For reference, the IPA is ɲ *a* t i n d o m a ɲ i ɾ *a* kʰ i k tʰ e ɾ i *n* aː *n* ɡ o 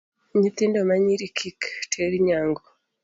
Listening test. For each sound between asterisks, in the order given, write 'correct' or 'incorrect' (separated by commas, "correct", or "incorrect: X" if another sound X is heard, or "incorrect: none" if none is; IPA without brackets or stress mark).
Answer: incorrect: i, incorrect: i, incorrect: ɲ, incorrect: ŋ